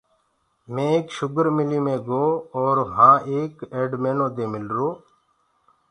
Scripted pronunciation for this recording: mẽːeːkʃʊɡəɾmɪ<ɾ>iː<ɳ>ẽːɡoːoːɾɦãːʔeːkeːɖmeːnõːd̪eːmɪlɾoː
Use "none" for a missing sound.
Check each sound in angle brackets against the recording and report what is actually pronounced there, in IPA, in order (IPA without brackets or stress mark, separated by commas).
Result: l, m